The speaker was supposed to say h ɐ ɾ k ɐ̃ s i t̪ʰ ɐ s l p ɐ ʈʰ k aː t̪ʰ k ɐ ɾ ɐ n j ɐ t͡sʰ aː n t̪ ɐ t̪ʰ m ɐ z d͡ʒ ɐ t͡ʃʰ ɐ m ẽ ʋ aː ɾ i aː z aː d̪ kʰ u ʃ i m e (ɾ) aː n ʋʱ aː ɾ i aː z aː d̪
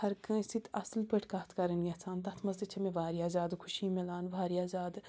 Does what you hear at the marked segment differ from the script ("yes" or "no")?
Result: yes